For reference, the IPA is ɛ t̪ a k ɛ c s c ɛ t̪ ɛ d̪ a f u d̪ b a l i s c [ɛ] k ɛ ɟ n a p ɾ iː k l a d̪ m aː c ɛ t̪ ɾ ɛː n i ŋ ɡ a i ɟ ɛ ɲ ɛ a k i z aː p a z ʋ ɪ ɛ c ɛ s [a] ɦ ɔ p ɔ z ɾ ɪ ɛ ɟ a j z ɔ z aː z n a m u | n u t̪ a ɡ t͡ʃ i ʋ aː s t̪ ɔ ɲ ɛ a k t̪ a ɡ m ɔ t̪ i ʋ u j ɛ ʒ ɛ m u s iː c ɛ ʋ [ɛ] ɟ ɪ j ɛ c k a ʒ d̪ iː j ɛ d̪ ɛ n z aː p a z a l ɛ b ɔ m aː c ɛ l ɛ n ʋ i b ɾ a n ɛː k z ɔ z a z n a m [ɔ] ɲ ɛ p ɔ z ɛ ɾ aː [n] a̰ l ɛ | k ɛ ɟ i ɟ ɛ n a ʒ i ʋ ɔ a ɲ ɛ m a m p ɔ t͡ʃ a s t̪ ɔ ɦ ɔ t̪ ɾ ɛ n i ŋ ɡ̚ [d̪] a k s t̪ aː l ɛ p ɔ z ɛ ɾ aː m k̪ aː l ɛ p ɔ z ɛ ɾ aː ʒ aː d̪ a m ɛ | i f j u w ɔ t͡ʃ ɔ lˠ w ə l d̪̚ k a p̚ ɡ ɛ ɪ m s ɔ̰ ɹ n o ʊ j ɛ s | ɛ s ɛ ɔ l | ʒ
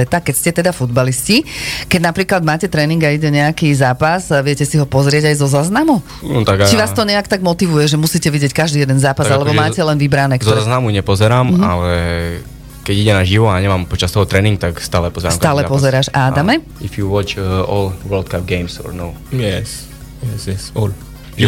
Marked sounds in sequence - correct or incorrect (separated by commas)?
incorrect, incorrect, incorrect, incorrect, incorrect, incorrect